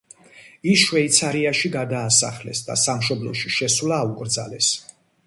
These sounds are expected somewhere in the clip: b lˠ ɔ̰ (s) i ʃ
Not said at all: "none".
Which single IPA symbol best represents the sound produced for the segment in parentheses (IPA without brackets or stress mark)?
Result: ʃ